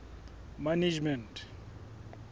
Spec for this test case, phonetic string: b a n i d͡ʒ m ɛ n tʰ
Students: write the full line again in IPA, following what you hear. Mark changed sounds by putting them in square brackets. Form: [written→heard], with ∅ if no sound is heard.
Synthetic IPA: [b→m] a n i d͡ʒ m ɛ n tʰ